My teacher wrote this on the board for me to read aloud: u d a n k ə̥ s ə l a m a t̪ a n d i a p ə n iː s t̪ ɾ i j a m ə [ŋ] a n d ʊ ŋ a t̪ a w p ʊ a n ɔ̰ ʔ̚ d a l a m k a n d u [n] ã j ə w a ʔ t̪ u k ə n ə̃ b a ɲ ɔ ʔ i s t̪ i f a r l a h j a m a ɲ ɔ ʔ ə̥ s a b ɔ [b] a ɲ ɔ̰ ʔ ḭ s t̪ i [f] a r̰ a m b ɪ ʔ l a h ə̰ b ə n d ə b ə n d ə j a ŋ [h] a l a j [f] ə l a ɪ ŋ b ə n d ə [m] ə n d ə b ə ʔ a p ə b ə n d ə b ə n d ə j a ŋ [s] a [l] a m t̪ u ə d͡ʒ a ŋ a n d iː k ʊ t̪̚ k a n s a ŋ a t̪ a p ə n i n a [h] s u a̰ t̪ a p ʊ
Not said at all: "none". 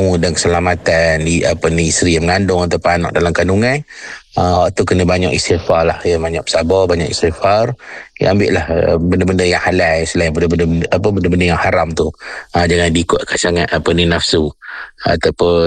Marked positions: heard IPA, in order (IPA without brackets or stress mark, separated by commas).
ŋ, ŋ, b, f, h, s, b, h, ɾ, f